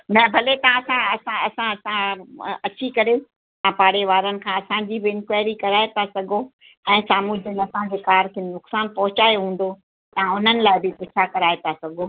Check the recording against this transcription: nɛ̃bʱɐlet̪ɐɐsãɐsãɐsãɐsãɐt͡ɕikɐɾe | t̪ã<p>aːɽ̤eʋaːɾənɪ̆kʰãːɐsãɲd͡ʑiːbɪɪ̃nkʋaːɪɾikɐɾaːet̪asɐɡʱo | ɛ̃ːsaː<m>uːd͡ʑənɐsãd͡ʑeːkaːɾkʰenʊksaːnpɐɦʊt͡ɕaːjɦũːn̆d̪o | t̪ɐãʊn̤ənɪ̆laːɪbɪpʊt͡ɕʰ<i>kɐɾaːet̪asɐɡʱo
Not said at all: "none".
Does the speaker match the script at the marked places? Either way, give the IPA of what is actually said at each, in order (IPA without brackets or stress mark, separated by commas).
p, m, a